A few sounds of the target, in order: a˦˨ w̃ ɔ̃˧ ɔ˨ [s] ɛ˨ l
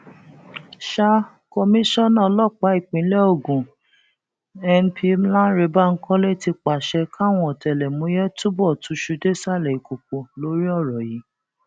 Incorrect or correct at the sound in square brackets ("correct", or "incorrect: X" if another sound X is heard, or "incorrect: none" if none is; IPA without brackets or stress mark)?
incorrect: t